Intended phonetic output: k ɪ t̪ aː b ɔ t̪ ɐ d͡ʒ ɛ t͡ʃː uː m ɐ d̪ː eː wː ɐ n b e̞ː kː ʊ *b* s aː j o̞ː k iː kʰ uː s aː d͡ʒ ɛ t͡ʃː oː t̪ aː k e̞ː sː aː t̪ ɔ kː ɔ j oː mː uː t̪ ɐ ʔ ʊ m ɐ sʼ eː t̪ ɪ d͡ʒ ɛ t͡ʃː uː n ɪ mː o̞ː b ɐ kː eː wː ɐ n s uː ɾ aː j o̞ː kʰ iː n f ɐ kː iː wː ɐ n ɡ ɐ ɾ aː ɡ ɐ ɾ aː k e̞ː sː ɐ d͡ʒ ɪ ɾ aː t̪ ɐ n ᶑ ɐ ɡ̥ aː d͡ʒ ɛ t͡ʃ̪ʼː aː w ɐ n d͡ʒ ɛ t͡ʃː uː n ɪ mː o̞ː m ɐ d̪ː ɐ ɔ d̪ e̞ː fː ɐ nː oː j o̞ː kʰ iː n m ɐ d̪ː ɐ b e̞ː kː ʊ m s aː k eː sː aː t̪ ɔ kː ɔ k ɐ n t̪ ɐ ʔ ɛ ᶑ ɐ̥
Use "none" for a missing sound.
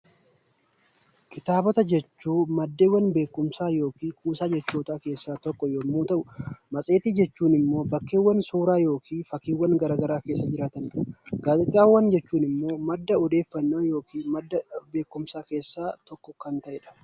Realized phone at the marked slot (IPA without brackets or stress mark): m